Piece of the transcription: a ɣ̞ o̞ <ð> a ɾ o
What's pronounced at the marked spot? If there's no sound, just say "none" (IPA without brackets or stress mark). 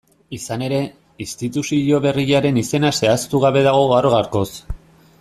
ɣ